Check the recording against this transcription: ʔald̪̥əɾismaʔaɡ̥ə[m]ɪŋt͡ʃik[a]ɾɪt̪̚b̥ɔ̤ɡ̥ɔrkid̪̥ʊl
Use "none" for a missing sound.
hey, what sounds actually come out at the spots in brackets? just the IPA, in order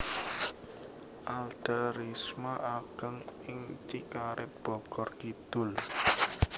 ŋ, a

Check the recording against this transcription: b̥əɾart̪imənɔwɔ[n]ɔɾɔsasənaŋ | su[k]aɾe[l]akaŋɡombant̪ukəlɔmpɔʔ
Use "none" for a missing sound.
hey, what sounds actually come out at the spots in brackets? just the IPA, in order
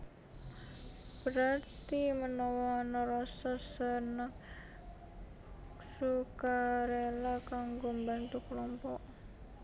n, k, l

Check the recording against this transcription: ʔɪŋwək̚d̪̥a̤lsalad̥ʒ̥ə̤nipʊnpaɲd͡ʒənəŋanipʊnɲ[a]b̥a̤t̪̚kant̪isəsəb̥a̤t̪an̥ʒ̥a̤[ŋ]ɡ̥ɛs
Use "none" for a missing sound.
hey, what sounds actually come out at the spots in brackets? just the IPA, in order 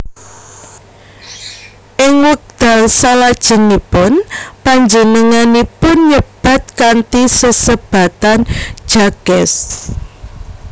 ə, none

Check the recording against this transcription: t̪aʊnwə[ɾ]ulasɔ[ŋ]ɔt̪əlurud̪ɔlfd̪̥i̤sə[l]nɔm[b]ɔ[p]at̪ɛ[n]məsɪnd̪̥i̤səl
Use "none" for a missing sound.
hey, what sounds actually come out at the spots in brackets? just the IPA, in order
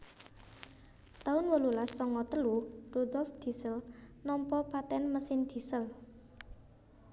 l, ŋ, l, p, p, n

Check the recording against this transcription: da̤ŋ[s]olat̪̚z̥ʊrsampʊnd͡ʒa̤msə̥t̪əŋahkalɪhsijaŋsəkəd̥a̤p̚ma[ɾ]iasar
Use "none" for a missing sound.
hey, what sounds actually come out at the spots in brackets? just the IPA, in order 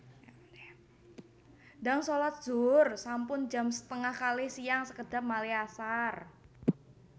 s, l

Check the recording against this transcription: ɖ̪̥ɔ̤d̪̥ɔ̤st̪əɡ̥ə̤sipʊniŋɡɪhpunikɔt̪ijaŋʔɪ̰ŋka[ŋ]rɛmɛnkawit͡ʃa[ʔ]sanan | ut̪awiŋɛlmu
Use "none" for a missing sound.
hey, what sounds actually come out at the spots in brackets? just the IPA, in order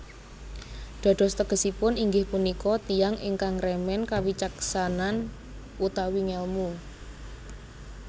ŋ, k

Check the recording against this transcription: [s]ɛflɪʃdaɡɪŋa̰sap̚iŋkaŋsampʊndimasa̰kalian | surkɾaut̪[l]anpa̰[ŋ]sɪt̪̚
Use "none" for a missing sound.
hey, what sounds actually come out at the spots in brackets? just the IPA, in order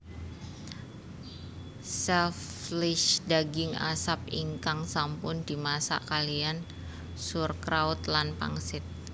s, l, ŋ

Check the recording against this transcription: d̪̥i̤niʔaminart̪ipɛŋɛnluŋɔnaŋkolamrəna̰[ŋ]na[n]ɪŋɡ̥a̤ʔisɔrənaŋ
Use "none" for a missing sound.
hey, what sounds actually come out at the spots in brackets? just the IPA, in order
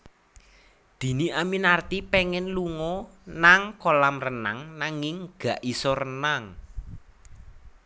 ŋ, ŋ

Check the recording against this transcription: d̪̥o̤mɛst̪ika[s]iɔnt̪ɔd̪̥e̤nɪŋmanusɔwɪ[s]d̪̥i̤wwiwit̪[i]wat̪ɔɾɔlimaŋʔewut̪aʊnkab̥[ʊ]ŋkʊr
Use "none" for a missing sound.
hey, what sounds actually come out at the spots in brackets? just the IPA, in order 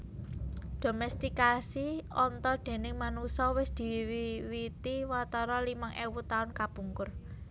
s, s, i, u

